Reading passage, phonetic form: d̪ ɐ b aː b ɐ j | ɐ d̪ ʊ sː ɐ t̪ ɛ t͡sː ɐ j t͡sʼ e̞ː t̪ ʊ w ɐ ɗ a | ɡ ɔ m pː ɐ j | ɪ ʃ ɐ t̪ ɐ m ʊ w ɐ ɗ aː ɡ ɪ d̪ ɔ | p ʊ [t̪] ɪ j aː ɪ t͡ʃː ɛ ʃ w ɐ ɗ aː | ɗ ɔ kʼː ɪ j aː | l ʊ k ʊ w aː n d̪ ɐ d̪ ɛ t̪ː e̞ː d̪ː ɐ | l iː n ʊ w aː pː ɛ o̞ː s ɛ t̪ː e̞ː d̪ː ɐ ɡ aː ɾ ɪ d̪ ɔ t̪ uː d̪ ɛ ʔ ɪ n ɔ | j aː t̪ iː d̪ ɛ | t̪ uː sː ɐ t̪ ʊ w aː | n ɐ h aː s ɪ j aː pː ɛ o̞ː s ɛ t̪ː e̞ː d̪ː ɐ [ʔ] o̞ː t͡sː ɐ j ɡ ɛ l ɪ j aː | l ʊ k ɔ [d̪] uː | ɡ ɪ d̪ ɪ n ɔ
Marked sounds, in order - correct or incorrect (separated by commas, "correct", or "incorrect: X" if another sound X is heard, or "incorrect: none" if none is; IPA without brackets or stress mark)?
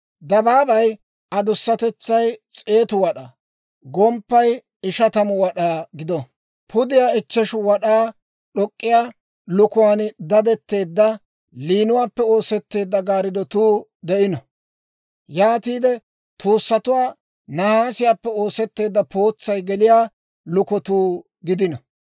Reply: incorrect: d̪, incorrect: p, incorrect: t̪